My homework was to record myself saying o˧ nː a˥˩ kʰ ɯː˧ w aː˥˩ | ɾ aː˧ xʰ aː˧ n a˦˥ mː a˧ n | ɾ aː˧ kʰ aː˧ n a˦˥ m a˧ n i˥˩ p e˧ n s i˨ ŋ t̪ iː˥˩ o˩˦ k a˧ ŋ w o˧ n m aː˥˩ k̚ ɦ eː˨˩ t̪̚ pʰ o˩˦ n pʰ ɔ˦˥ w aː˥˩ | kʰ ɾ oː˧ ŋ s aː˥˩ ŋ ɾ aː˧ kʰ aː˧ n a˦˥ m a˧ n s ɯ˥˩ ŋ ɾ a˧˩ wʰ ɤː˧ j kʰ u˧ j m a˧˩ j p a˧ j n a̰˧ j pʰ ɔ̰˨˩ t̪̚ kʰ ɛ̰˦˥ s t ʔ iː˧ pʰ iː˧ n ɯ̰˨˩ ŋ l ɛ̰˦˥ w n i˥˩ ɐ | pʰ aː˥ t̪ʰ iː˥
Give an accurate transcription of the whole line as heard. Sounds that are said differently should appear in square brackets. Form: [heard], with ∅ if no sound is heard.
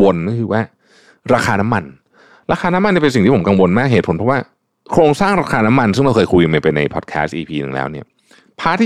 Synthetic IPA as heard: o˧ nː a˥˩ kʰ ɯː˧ w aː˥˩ | ɾ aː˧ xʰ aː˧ n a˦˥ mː a˧ n | ɾ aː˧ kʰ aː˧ n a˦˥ m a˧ n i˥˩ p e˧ n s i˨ ŋ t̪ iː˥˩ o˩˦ k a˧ ŋ w o˧ n m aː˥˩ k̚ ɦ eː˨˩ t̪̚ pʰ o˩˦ n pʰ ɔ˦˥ w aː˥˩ | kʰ ɾ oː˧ ŋ s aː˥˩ ŋ ɾ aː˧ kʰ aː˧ n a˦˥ m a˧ n s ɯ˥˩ ŋ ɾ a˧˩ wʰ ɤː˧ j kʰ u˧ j m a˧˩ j p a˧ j n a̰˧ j pʰ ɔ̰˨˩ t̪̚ kʰ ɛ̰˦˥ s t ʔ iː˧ pʰ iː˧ n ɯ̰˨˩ ŋ l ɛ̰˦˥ w n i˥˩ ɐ | pʰ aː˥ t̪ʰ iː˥